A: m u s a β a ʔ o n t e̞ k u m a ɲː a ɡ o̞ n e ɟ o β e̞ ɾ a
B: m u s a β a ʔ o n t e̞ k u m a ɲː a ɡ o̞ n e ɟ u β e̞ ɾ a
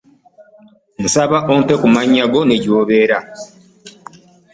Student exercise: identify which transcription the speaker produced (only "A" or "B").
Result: A